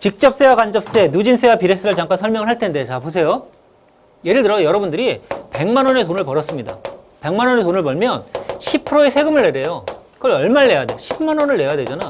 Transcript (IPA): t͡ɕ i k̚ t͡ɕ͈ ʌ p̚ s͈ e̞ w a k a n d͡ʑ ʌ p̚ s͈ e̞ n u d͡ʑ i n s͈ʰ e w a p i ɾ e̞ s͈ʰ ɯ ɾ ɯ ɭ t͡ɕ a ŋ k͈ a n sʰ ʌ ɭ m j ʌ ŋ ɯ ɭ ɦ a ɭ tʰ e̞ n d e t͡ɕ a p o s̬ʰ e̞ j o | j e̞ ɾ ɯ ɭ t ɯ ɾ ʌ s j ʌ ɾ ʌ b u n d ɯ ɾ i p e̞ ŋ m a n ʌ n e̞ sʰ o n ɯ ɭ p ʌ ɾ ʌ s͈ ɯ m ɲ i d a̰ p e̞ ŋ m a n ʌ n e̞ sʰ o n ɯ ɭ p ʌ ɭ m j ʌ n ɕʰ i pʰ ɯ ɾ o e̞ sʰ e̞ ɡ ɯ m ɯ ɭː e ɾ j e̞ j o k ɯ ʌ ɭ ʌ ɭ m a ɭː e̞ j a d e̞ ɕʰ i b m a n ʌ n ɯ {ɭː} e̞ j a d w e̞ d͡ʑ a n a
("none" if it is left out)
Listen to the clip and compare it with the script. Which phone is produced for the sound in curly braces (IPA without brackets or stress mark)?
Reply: ɭː